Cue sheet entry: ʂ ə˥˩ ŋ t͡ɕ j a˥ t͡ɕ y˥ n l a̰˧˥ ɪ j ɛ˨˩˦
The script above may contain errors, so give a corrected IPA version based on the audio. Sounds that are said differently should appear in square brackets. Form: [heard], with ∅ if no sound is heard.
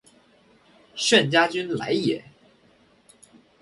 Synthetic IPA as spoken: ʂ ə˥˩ [n] t͡ɕ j a˥ t͡ɕ y˥ n l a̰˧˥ ɪ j ɛ˨˩˦

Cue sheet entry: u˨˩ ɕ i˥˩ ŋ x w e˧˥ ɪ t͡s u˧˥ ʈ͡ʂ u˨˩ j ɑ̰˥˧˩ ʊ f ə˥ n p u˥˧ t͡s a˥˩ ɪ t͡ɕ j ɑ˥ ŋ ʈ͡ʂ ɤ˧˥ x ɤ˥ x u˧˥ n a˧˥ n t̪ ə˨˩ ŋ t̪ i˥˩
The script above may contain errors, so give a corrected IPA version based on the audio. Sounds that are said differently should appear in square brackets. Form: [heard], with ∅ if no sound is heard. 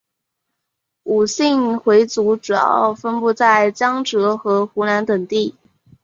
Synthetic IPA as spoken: u˨˩ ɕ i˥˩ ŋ x w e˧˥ ɪ t͡s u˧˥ ʈ͡ʂ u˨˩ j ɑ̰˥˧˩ ʊ f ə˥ n p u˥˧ t͡s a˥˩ ɪ t͡ɕ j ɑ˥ ŋ ʈ͡ʂ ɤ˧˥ x [ɤ˧˥] x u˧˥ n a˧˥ n t̪ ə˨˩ ŋ t̪ i˥˩

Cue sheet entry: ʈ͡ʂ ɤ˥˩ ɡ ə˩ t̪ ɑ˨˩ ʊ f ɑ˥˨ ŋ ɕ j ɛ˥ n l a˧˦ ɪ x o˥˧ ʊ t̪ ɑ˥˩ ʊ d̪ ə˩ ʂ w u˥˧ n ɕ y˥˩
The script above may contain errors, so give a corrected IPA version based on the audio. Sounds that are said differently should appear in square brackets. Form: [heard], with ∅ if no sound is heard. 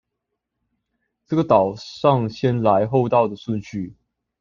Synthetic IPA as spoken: ʈ͡ʂ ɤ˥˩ ɡ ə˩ t̪ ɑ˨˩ ʊ [ʂ] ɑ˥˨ ŋ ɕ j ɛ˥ n l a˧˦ ɪ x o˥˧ ʊ t̪ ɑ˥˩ ʊ d̪ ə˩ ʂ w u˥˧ n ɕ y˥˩

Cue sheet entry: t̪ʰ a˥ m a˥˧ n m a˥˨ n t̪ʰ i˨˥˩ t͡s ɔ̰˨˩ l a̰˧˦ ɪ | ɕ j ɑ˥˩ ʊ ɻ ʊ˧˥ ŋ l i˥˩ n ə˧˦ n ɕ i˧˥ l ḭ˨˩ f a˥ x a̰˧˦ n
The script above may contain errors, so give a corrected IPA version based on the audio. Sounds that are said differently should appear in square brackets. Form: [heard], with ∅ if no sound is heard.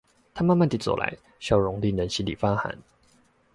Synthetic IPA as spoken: t̪ʰ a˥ m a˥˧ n m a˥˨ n [t̪] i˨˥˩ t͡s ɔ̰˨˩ l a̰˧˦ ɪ | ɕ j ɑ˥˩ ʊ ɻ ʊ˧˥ ŋ l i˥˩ n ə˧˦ n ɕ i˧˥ l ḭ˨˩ f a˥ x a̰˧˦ n

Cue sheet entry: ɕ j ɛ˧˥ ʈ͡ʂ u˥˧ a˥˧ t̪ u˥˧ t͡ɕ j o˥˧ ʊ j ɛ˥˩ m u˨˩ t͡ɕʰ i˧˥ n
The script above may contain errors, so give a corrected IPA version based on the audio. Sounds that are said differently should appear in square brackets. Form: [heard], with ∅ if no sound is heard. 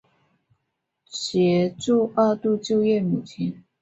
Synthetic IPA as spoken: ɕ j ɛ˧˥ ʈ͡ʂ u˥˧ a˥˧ t̪ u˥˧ t͡ɕ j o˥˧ ʊ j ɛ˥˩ m u˨˩ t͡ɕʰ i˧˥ n

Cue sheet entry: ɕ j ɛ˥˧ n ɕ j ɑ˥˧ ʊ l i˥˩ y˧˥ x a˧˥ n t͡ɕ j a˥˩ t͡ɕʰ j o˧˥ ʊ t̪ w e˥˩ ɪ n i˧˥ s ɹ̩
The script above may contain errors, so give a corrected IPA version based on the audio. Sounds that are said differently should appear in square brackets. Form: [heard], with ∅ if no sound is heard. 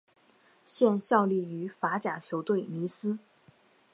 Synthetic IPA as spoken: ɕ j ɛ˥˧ n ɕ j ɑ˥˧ ʊ l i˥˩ y˧˥ [f] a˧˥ [∅] t͡ɕ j [a˨˩] t͡ɕʰ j o˧˥ ʊ t̪ w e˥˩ ɪ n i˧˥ s ɹ̩

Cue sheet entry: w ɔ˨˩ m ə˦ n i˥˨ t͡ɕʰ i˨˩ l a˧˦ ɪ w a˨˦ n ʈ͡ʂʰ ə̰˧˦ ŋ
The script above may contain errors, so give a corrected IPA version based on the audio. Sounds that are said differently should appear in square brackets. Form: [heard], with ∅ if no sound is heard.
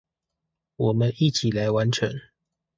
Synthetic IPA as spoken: w ɔ˨˩ m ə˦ n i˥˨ t͡ɕʰ i˨˩ l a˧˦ ɪ w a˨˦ n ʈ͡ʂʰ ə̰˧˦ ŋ

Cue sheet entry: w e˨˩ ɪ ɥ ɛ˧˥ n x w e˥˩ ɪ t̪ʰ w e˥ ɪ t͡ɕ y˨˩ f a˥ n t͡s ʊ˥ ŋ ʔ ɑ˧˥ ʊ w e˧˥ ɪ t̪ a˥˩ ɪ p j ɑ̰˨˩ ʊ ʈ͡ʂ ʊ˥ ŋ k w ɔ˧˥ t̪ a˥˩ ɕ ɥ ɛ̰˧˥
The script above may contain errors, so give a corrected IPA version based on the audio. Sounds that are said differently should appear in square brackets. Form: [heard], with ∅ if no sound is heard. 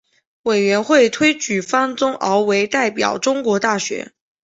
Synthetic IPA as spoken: w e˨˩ ɪ ɥ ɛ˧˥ n x w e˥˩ ɪ t̪ʰ w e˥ ɪ t͡ɕ y˨˩ f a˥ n t͡s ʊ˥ ŋ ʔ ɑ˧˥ ʊ w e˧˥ ɪ t̪ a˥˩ ɪ p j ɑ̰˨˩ ʊ ʈ͡ʂ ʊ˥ ŋ k w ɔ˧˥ t̪ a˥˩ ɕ ɥ ɛ̰˧˥

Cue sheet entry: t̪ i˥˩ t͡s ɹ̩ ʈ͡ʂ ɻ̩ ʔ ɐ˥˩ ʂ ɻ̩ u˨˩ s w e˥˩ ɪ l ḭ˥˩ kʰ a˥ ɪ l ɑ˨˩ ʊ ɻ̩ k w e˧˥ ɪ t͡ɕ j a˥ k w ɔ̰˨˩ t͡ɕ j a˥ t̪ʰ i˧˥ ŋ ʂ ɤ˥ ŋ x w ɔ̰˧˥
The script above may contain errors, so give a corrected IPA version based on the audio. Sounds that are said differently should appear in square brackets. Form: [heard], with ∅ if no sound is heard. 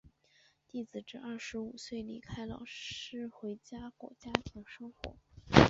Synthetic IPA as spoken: t̪ i˥˩ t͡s ɹ̩ ʈ͡ʂ ɻ̩ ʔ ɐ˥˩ ʂ ɻ̩ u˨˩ s w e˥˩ ɪ l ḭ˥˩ kʰ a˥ ɪ l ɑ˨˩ ʊ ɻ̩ [x] w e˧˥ ɪ t͡ɕ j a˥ k w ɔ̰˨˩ t͡ɕ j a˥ t̪ʰ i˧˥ ŋ ʂ ɤ˥ ŋ x w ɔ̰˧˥

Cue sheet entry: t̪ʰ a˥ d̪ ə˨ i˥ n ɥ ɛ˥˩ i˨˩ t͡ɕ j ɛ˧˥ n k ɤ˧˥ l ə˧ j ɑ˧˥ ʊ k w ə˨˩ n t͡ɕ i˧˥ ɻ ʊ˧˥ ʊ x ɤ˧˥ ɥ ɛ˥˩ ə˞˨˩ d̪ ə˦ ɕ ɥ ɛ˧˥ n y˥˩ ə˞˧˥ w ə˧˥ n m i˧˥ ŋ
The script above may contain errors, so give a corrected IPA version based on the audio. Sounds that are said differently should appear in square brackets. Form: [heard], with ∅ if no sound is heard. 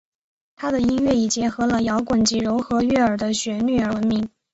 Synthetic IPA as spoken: t̪ʰ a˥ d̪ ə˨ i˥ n ɥ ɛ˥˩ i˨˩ t͡ɕ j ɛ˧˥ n [x] ɤ˧˥ l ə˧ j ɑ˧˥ ʊ k w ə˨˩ n t͡ɕ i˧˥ ɻ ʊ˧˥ ʊ x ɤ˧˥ ɥ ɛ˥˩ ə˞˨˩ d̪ ə˦ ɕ ɥ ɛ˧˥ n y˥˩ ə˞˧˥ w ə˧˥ n m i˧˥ ŋ

